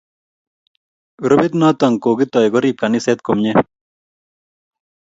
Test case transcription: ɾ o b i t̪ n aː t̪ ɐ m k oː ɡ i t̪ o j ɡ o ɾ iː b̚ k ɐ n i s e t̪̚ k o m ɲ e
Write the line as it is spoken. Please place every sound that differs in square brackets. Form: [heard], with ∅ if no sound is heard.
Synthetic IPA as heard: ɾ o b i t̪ n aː t̪ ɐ [ŋ] k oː ɡ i t̪ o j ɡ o ɾ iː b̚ k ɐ n i s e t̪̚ k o m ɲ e

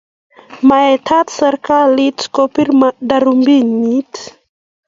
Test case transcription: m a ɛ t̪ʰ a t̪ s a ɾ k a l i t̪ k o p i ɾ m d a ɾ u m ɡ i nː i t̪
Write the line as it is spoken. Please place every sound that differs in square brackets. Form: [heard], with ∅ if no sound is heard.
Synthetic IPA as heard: m a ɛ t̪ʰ a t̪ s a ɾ k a l i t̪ k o p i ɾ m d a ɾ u m [b] i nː i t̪

